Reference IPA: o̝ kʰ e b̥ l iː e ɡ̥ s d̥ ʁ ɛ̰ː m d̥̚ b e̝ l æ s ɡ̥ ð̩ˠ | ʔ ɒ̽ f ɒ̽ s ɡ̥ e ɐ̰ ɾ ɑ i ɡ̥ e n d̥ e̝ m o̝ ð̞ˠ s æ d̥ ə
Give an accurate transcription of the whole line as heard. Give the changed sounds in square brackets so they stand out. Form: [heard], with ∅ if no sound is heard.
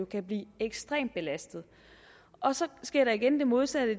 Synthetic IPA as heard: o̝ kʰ [æ] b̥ l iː e ɡ̥ s d̥ ʁ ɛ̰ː m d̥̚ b e̝ l æ s [d̥] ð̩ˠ | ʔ ɒ̽ [s] ɒ̽ s ɡ̥ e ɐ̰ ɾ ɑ i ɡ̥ e n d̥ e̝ m o̝ ð̞ˠ s æ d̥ ə